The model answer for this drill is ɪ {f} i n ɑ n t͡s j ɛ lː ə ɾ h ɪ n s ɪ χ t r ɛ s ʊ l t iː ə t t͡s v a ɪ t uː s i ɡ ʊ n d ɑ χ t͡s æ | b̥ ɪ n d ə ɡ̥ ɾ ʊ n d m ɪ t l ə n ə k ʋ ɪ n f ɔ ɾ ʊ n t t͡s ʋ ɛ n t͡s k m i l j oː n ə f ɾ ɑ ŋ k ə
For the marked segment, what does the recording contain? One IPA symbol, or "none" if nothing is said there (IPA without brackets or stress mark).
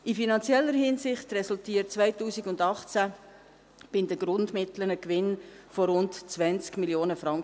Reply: f